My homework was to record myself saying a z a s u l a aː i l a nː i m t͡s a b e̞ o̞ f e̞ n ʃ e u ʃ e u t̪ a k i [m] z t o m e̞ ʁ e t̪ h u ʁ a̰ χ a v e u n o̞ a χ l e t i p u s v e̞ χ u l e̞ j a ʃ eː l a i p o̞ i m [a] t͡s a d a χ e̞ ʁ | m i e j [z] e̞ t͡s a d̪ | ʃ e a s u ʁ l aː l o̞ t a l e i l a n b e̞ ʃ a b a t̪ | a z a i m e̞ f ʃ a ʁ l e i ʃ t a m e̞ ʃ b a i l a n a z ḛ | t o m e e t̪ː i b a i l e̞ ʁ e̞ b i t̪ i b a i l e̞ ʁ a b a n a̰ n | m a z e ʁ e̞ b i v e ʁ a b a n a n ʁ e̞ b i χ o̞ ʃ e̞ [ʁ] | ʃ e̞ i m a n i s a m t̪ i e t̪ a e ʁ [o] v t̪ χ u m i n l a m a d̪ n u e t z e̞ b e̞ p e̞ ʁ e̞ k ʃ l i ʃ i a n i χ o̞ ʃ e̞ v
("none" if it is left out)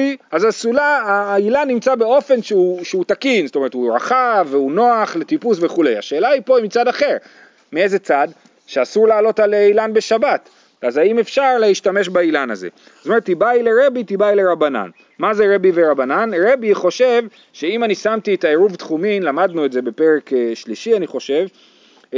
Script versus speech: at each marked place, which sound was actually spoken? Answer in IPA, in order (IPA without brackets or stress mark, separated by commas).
n, i, z, v, u